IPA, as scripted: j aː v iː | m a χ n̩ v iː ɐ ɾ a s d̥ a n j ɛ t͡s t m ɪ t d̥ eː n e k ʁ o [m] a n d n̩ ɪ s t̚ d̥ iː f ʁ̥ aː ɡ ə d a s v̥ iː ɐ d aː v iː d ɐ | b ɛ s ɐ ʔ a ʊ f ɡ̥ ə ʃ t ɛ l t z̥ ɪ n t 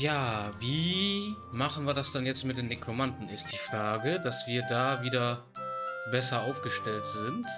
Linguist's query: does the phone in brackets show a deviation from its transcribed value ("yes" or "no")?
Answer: no